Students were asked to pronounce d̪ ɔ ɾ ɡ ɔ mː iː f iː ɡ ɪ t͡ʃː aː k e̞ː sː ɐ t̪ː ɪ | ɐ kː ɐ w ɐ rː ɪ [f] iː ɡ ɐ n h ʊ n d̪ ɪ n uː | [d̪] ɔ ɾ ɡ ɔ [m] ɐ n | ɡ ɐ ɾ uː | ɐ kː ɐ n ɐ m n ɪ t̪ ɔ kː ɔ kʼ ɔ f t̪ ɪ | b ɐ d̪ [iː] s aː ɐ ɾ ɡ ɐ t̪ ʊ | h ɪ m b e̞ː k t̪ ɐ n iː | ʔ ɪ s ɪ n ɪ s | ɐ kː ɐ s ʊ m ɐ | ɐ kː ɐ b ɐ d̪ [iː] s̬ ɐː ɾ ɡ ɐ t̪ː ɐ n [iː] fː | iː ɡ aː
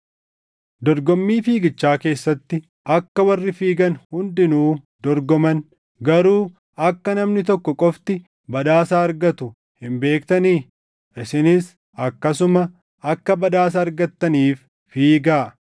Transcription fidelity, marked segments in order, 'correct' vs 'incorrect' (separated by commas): correct, correct, correct, incorrect, incorrect, correct